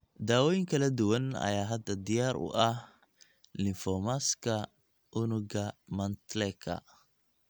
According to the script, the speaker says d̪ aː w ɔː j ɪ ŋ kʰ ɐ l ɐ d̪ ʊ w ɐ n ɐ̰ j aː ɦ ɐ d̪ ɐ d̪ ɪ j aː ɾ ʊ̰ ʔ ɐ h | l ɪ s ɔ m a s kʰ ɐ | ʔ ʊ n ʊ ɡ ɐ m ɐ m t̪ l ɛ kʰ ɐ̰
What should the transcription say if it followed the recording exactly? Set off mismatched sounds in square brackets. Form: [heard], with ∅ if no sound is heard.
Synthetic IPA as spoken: d̪ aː w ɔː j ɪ ŋ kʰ ɐ l ɐ d̪ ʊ w ɐ n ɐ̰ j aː ɦ ɐ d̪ ɐ d̪ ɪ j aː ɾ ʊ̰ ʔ ɐ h | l ɪ [f] ɔ m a s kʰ ɐ | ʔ ʊ n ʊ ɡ ɐ m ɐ [n] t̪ l ɛ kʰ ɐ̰